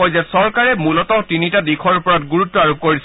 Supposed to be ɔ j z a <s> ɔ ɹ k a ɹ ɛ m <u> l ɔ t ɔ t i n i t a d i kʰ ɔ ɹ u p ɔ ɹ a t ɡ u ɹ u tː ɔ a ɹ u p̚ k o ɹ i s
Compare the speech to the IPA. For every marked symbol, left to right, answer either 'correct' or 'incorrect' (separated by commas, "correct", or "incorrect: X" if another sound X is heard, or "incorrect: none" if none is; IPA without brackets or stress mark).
correct, correct